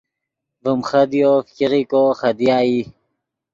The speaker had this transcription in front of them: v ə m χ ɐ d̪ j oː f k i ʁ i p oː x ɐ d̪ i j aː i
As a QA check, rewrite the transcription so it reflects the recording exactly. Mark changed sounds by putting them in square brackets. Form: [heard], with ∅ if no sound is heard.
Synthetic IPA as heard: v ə m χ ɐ d̪ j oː f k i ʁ i [k] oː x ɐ d̪ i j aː i